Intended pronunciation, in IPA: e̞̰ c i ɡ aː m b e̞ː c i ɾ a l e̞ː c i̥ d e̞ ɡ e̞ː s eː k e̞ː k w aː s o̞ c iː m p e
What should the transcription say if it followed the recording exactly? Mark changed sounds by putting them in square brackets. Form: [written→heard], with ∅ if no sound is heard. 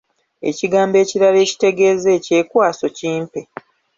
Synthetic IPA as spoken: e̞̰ c i ɡ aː m b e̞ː c i ɾ a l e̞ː c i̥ [d→t] e̞ ɡ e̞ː [s→z] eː [k→c] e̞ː k w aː s o̞ c iː m p e